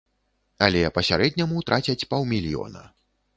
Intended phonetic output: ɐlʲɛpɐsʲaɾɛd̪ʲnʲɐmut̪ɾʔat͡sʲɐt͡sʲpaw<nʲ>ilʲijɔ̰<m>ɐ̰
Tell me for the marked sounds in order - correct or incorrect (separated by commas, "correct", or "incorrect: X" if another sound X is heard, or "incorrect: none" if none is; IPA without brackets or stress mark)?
incorrect: mʲ, incorrect: n